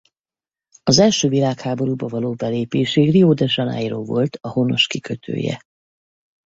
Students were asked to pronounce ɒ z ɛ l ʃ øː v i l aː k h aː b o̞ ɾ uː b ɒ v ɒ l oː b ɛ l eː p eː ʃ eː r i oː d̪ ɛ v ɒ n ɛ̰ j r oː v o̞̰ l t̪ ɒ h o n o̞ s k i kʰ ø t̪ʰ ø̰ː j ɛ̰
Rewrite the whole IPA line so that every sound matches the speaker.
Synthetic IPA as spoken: ɒ z ɛ l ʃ øː v i l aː k h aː b o̞ ɾ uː b ɒ v ɒ l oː b ɛ l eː p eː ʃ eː r i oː d̪ ɛ ʒ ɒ n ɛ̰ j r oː v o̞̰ l t̪ ɒ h o n o̞ ʃ k i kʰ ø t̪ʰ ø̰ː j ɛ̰